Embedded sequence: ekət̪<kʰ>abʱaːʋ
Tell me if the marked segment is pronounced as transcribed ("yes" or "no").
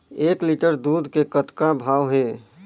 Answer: no